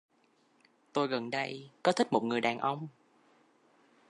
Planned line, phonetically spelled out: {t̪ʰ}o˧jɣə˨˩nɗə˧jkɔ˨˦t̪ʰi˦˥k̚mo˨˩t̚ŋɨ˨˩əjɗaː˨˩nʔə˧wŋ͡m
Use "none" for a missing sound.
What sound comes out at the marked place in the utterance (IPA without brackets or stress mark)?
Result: t̪